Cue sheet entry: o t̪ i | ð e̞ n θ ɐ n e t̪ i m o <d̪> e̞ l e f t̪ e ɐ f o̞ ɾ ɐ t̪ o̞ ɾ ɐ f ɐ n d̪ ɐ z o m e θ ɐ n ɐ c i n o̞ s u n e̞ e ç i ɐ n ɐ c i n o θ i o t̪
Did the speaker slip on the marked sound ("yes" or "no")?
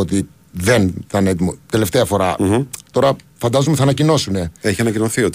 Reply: yes